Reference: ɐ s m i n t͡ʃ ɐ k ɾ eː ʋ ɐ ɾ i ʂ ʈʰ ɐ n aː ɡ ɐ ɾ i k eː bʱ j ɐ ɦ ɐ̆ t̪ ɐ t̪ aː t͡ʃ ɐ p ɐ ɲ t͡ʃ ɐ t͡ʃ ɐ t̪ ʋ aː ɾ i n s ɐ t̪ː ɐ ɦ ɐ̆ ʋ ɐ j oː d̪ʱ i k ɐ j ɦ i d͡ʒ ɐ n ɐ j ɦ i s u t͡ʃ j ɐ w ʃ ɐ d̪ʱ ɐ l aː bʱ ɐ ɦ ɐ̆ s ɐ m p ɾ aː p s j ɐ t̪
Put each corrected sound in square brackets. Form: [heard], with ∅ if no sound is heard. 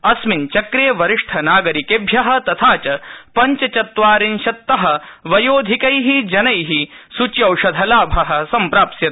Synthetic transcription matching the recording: ɐ s m i n t͡ʃ ɐ k ɾ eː ʋ ɐ ɾ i ʂ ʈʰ ɐ n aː ɡ ɐ ɾ i k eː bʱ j ɐ ɦ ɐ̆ t̪ ɐ [t̪ʰ] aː t͡ʃ ɐ p ɐ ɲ t͡ʃ ɐ t͡ʃ ɐ t̪ ʋ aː ɾ i n [ʃ] ɐ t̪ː ɐ ɦ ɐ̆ ʋ ɐ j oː d̪ʱ i k ɐ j ɦ i d͡ʒ ɐ n ɐ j ɦ i s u t͡ʃ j ɐ w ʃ ɐ d̪ʱ ɐ l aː bʱ ɐ ɦ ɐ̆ s ɐ m p ɾ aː p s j ɐ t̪